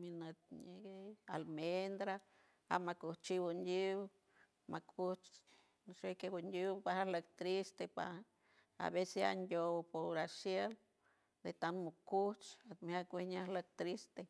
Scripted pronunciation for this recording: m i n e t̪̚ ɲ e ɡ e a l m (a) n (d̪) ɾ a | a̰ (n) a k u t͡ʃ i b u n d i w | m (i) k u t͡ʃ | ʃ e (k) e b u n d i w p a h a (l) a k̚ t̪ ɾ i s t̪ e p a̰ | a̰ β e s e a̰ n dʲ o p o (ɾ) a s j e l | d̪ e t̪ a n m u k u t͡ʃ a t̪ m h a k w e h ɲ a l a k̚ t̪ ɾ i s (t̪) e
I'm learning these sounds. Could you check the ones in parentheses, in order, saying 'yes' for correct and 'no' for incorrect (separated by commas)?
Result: no, yes, no, no, yes, yes, yes, yes